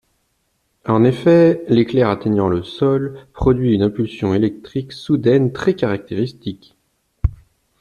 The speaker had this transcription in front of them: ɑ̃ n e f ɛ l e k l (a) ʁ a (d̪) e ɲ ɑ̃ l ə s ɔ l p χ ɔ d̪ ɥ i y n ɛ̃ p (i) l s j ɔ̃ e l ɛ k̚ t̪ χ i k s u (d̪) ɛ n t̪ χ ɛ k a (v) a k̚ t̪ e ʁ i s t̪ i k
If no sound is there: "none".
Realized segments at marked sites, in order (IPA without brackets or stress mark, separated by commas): ɛ, t̪, y, d̪, ʁ